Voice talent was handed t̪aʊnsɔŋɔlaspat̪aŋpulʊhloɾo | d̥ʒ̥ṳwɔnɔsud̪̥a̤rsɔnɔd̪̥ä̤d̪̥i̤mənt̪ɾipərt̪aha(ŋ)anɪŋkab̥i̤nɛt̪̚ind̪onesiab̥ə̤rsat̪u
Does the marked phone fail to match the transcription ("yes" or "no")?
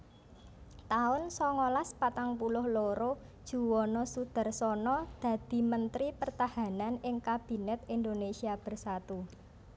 yes